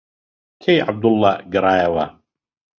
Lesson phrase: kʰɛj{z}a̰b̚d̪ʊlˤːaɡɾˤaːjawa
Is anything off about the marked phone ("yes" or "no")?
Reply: yes